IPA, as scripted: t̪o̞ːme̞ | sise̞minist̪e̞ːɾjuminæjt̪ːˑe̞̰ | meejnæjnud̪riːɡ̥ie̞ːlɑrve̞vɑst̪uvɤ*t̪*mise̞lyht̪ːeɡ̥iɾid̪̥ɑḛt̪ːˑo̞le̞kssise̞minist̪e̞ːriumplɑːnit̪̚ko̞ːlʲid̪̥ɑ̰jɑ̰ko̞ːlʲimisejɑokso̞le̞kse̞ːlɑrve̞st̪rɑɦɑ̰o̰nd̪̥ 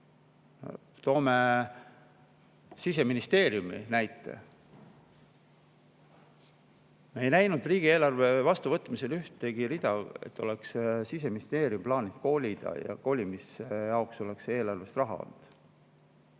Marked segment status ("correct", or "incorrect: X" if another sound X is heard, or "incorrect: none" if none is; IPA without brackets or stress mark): correct